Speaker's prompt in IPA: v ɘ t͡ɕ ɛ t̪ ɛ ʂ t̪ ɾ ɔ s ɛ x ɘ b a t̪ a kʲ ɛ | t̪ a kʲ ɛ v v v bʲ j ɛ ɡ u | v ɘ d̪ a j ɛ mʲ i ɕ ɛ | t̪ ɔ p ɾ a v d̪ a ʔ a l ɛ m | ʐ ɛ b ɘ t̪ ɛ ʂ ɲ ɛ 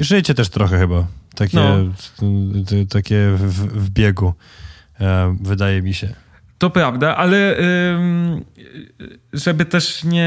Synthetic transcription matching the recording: ʐ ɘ t͡ɕ ɛ t̪ ɛ ʂ t̪ ɾ ɔ x ɛ x ɘ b a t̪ a kʲ ɛ | t̪ a kʲ ɛ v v v bʲ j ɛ ɡ u | v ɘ d̪ a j ɛ mʲ i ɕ ɛ | t̪ ɔ p ɾ a v d̪ a ʔ a l ɛ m | ʐ ɛ b ɘ t̪ ɛ ʂ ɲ ɛ